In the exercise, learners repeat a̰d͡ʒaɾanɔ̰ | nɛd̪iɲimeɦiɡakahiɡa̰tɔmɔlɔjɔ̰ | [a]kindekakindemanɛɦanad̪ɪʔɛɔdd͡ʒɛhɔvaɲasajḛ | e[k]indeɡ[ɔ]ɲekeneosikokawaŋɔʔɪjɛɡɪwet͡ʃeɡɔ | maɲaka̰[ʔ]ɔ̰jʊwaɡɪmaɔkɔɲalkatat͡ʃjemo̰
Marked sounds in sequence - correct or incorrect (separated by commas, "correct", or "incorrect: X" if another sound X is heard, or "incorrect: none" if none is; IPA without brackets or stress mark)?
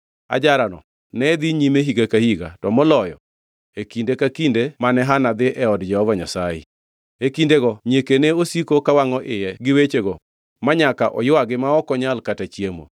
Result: incorrect: e, correct, correct, correct